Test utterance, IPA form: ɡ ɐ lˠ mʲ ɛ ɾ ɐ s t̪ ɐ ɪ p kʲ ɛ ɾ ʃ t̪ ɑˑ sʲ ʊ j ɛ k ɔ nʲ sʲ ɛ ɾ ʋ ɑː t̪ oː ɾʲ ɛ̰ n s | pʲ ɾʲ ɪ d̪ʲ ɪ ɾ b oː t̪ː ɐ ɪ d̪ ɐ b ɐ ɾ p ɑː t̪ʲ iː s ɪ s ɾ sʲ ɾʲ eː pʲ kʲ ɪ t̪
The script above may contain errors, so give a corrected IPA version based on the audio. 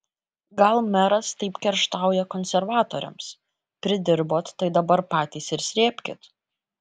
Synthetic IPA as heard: ɡ ɐ lˠ mʲ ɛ ɾ ɐ s t̪ ɐ ɪ p kʲ ɛ ɾ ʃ t̪ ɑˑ ʊ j ɛ k ɔ nʲ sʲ ɛ ɾ ʋ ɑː t̪ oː ɾʲ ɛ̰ m s | pʲ ɾʲ ɪ d̪ʲ ɪ ɾ b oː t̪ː ɐ ɪ d̪ ɐ b ɐ ɾ p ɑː t̪ʲ iː s ɪ ɾ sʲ ɾʲ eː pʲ kʲ ɪ t̪